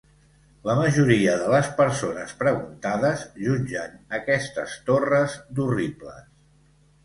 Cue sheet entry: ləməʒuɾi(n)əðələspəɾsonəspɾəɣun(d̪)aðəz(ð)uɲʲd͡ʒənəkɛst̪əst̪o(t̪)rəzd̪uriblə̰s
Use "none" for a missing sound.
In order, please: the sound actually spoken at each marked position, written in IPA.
none, t̪, ʒ, none

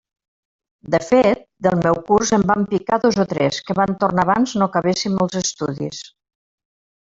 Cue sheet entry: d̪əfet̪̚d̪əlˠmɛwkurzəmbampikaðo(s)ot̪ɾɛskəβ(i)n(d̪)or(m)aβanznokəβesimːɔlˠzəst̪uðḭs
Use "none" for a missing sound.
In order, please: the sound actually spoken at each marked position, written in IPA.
z, a, t̪, n

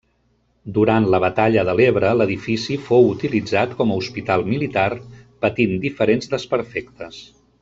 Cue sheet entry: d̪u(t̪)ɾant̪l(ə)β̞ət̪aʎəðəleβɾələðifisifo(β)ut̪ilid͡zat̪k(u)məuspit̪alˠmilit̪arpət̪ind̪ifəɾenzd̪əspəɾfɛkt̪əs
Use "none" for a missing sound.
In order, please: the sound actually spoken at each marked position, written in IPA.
none, ə, w, ɔ

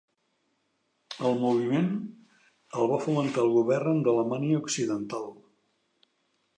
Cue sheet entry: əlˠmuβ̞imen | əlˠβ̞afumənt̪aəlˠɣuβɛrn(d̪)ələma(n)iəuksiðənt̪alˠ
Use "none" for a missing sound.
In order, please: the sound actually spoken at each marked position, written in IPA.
d̪, n

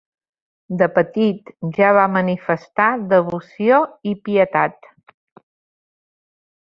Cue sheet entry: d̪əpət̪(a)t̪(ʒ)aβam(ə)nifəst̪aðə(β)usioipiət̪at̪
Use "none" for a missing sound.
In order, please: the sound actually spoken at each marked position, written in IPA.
i, ʒ, ə, β

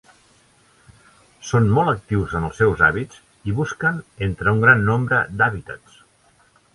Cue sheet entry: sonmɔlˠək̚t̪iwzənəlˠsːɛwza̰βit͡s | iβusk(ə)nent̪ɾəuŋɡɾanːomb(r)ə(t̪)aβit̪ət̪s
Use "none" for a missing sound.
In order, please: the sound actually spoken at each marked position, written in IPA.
ə, ɾ, d̪

